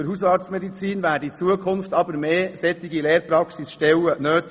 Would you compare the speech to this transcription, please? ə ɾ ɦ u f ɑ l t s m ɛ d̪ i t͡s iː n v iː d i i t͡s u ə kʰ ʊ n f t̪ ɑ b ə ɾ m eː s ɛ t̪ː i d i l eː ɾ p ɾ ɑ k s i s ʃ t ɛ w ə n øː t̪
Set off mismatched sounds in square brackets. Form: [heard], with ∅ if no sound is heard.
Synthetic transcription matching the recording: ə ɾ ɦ u [s] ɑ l t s m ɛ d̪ i t͡s iː n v [æː] d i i t͡s u ə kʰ ʊ n f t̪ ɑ b ə ɾ m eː s ɛ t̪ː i [ɡ] i l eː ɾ p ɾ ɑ k s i s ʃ t ɛ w ə n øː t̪